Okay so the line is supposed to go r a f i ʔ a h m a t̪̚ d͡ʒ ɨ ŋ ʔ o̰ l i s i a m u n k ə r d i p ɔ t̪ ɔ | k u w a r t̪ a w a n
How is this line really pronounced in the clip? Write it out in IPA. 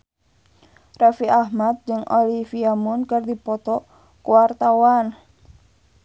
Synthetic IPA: r a f i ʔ a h m a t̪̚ d͡ʒ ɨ ŋ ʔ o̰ l i f i a m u n k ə r d i p ɔ t̪ ɔ | k u w a r t̪ a w a n